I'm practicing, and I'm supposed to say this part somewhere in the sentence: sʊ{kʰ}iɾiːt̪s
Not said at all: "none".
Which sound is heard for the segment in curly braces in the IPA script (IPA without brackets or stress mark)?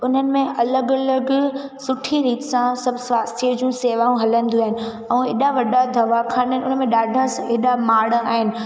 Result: ʈʰ